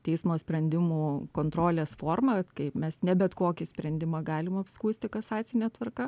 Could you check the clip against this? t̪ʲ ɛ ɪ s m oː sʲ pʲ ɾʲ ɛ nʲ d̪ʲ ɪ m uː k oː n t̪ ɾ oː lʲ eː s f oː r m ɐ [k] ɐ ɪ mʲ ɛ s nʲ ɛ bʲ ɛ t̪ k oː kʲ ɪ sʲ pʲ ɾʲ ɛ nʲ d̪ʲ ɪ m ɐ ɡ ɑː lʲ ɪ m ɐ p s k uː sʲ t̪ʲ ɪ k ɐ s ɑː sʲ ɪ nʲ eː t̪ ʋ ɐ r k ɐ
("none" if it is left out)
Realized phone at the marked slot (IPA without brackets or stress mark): k